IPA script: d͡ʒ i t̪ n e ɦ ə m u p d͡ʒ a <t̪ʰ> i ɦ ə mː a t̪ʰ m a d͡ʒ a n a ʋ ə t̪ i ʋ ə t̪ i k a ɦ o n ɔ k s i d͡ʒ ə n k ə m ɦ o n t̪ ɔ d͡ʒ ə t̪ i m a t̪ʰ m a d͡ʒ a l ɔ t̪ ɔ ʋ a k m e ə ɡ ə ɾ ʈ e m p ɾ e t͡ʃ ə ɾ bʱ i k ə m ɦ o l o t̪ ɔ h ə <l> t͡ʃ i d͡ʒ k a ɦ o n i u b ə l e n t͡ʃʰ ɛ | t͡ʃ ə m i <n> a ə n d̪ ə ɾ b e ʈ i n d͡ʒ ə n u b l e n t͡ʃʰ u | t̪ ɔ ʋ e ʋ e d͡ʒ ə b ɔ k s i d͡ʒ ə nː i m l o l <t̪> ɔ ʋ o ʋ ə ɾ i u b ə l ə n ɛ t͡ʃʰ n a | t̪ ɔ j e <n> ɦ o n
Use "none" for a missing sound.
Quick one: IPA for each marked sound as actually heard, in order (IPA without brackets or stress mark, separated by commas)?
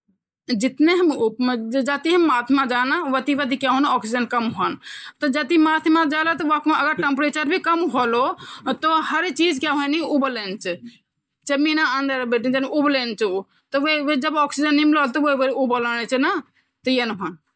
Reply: t̪, ɾ, n, t̪, n